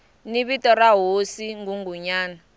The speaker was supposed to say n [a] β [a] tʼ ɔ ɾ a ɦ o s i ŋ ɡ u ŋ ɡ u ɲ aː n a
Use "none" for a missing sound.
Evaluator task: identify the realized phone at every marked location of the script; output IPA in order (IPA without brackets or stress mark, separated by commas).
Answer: i, i